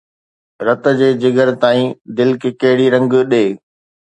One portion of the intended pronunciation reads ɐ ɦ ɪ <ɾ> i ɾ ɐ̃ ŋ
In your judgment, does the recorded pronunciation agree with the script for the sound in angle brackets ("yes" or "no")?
no